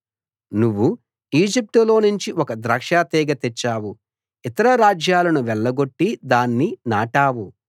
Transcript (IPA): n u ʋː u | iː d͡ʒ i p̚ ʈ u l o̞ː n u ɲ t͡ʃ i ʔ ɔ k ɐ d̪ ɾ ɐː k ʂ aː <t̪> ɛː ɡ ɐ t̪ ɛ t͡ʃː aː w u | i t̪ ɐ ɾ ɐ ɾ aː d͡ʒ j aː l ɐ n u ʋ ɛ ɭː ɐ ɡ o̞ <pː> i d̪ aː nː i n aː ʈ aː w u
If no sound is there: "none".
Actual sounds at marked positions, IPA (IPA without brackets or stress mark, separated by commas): t̪, ʈː